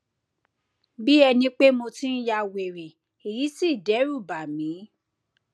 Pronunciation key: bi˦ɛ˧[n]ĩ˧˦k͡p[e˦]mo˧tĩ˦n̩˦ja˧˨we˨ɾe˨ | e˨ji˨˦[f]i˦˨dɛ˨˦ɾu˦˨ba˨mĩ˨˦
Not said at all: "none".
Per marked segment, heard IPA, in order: n, e˦, s

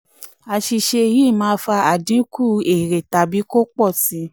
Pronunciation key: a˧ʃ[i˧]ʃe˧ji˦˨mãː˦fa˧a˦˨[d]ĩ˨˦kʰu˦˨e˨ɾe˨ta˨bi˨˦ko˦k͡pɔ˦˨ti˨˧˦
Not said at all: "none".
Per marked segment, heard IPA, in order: i˧, d

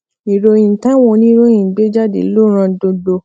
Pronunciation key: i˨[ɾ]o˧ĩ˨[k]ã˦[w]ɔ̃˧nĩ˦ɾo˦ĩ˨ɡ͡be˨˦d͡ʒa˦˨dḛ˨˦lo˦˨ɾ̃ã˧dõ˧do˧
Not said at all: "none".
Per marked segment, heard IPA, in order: ɾ, t, w

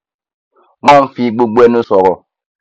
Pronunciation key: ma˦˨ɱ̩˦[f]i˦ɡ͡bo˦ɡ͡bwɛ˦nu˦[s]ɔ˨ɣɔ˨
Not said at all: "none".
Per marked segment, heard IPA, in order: f, s

